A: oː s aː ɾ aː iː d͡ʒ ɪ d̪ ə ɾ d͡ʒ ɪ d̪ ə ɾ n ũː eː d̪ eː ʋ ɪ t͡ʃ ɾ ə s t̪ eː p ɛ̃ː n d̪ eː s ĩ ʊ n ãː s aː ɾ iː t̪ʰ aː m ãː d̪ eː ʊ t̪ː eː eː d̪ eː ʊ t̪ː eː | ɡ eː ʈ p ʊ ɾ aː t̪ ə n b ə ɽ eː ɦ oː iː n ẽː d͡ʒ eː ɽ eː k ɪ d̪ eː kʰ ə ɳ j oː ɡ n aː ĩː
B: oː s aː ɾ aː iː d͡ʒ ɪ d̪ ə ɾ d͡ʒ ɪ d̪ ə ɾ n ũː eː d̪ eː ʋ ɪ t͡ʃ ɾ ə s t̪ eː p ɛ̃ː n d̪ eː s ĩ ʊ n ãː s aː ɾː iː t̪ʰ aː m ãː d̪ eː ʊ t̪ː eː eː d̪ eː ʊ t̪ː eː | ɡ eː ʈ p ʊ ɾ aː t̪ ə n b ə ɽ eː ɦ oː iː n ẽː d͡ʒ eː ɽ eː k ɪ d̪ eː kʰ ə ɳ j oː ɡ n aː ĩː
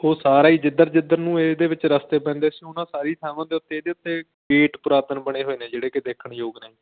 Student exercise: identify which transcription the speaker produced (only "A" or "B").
A